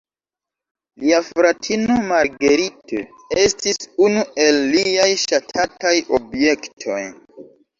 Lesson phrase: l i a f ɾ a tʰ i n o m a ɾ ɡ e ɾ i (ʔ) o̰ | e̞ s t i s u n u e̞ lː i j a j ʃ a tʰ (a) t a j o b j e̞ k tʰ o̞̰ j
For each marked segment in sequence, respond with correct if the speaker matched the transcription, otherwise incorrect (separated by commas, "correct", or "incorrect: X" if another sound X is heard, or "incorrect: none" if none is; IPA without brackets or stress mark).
incorrect: t, correct